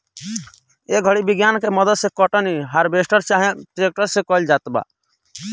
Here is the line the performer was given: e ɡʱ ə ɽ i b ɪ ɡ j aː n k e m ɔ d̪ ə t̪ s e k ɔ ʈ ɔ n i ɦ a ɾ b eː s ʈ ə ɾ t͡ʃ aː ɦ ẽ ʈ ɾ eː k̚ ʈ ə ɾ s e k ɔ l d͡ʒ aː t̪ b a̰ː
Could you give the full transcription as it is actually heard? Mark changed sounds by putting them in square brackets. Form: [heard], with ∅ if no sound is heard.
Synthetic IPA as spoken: e ɡʱ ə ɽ i b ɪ ɡ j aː n k e m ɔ d̪ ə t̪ s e k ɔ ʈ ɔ n i ɦ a ɾ b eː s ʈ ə ɾ t͡ʃ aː ɦ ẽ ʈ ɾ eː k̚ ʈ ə ɾ s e k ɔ l d͡ʒ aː t̪ b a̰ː

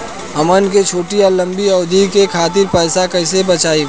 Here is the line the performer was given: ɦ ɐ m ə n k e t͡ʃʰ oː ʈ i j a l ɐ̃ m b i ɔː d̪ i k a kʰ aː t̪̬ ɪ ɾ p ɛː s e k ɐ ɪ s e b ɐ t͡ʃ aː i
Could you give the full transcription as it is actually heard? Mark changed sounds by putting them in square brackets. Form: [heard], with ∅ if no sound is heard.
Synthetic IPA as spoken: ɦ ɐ m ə n k e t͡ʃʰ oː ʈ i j a l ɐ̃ m b i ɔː d̪ i k [e] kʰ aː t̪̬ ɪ ɾ p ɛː s [a] k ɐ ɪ s e b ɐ t͡ʃ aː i

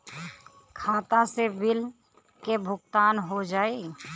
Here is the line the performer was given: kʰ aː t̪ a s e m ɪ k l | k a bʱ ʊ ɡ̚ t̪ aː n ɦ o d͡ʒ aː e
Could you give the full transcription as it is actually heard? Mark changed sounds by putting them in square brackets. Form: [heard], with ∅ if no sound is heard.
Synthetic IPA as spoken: kʰ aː t̪ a s e [b] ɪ [∅] l | k [e] bʱ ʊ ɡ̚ t̪ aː n ɦ o d͡ʒ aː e

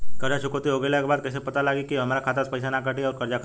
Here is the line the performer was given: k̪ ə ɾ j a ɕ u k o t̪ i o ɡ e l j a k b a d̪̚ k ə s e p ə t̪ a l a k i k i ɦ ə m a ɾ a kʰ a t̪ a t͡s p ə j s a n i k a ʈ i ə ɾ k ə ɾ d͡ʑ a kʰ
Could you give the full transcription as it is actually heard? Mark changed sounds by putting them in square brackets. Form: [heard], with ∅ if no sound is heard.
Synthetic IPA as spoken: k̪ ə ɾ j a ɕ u k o t̪ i o ɡ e l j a k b a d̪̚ k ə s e p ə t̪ a l a [ɡ] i k i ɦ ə m a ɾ a kʰ a t̪ a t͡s p ə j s a n [a] k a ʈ i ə ɾ k ə ɾ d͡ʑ a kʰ

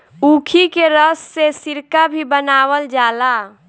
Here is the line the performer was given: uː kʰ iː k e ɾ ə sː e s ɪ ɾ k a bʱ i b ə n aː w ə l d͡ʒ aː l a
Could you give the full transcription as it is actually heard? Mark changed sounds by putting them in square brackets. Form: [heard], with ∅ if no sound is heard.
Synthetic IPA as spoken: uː kʰ [i] k e ɾ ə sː e s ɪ ɾ k a bʱ i b ə n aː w ə l d͡ʒ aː l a

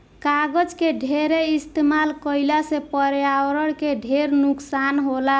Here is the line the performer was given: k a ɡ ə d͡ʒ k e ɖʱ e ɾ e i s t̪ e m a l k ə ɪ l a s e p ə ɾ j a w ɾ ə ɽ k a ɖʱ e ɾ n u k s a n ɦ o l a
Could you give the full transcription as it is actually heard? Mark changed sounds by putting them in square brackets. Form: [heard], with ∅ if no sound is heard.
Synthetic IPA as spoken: k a ɡ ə d͡ʒ k e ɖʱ e ɾ e i s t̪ e m a l k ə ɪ l a s e p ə ɾ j a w ɾ ə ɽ k [e] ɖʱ e ɾ n u k s a n ɦ o l a

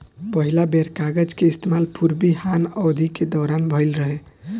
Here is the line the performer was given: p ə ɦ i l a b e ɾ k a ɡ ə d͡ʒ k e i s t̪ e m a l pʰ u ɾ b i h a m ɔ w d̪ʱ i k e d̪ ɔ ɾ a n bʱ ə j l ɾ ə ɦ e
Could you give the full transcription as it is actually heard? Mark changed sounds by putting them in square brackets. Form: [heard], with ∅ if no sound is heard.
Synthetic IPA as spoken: p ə ɦ i l a b e ɾ k a ɡ ə d͡ʒ k e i s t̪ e m a l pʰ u ɾ b i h a [n] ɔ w d̪ʱ i k e d̪ ɔ ɾ a n bʱ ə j l ɾ ə ɦ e

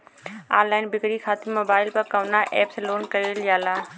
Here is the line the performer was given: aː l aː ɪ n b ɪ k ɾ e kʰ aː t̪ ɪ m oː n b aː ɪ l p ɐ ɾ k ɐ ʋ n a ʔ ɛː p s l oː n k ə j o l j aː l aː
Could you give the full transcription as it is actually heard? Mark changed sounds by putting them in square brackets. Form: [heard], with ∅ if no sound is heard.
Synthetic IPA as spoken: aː l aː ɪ n b ɪ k ɾ [i] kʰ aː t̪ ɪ m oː [∅] b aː ɪ l p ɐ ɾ k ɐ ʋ n a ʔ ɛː p s l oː n k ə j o l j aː l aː

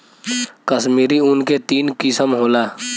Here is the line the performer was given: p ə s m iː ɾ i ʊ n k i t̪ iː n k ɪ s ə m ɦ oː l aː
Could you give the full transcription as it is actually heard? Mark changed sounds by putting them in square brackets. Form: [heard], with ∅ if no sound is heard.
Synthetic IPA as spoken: [k] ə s m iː ɾ i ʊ n k [e] t̪ iː n k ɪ s ə m ɦ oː l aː

